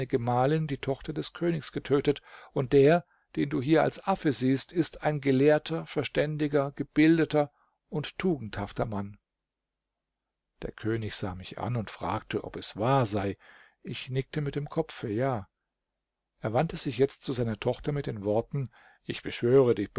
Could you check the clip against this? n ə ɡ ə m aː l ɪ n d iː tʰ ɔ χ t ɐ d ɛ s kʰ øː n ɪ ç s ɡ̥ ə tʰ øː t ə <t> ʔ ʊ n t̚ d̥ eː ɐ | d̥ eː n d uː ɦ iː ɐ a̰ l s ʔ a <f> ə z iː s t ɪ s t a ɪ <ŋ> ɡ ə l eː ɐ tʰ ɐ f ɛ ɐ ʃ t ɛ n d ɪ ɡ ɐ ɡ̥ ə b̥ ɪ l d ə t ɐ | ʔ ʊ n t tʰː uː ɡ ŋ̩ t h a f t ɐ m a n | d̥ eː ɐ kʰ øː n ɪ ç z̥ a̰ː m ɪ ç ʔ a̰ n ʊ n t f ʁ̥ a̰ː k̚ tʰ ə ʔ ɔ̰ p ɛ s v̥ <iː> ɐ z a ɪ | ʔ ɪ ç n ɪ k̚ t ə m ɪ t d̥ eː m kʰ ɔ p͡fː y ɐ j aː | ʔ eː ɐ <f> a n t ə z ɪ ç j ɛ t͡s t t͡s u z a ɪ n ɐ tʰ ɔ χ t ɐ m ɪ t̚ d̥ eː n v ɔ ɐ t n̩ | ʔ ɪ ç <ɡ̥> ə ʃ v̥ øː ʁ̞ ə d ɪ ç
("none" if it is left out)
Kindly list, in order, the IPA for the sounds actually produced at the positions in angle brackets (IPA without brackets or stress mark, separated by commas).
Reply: t, f, n, aː, v, b̥